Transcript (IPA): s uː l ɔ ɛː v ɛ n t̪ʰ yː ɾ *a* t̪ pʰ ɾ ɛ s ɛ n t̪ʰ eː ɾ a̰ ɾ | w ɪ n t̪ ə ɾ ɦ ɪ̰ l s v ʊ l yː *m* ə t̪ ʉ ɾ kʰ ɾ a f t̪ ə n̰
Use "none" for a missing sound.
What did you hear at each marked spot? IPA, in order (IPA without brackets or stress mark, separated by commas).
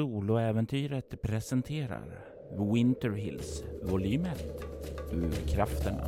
ə, m